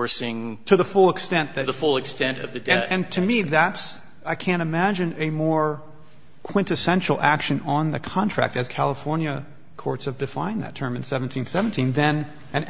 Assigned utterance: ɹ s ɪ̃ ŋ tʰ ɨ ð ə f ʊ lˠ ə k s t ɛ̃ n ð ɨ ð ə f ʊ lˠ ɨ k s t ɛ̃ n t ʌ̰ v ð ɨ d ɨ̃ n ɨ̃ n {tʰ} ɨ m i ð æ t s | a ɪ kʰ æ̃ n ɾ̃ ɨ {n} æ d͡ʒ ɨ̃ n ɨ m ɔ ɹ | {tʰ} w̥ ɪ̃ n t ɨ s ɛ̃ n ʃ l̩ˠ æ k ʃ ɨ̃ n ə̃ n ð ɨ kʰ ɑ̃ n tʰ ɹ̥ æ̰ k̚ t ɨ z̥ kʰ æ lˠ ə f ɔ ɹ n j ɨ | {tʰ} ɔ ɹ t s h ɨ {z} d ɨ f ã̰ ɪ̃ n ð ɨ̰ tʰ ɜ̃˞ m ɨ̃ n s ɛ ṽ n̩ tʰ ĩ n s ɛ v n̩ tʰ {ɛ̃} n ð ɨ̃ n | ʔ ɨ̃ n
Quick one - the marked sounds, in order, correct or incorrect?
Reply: correct, incorrect, incorrect, incorrect, incorrect, incorrect

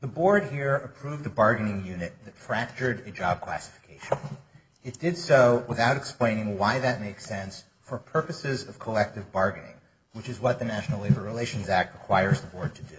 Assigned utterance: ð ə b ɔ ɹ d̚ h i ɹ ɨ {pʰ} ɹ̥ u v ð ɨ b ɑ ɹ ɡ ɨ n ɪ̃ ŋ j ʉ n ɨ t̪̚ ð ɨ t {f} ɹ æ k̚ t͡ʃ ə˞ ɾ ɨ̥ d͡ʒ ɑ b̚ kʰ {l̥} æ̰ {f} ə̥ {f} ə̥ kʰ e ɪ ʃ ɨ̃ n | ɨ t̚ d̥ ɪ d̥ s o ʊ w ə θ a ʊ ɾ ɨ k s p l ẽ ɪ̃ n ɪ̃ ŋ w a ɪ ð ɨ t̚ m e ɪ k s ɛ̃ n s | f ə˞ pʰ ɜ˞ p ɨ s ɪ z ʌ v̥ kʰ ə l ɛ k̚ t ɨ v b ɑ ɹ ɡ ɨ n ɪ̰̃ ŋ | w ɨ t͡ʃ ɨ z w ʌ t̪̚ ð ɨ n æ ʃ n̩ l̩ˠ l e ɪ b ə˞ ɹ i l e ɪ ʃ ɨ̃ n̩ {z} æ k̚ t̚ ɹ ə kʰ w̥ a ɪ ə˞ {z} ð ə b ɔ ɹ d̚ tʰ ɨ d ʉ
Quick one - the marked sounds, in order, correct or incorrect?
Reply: correct, correct, correct, incorrect, correct, correct, correct

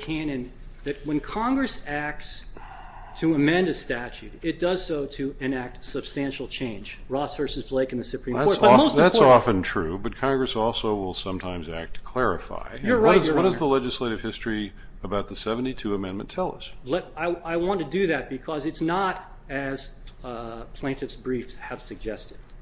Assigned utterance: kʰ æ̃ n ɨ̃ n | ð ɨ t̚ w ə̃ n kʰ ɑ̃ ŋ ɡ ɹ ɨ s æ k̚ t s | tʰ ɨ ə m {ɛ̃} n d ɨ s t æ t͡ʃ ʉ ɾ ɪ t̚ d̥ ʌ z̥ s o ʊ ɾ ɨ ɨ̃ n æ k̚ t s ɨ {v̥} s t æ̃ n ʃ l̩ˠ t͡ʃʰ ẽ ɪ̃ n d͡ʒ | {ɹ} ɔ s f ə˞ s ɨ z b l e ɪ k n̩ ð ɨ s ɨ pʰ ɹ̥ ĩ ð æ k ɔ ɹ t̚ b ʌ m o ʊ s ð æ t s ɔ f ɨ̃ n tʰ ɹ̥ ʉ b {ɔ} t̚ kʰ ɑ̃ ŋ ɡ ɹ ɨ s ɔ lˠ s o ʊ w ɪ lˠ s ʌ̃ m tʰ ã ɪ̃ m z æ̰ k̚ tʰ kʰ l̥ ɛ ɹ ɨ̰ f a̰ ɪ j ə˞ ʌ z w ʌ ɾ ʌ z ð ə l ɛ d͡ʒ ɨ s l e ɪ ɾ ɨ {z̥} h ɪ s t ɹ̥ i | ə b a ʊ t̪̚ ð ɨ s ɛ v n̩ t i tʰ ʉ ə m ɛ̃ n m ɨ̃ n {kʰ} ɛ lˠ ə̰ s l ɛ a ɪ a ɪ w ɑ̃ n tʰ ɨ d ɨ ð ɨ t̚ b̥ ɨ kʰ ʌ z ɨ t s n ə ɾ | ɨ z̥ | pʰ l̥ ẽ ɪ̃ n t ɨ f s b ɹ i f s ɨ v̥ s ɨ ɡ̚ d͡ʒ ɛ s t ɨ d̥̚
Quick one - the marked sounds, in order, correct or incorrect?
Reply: correct, incorrect, correct, incorrect, incorrect, incorrect

